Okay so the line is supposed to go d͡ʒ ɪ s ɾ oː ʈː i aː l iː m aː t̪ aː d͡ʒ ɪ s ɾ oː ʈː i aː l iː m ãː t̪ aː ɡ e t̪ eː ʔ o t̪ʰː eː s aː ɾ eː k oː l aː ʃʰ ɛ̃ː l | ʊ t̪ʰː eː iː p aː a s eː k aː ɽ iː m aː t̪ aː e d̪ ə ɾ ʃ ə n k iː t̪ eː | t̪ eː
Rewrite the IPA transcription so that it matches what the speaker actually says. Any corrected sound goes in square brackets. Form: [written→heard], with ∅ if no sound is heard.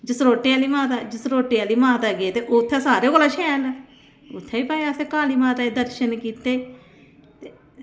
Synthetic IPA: d͡ʒ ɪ s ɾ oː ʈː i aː l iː m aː t̪ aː d͡ʒ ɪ s ɾ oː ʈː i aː l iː m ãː t̪ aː ɡ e t̪ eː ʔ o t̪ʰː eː s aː ɾ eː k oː l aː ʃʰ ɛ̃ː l | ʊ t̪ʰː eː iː p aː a s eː k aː [ɽ→l] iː m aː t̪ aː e d̪ ə ɾ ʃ ə n k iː t̪ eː | t̪ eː